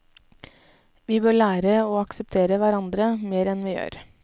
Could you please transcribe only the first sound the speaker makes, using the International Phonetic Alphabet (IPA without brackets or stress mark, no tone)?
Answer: ʋ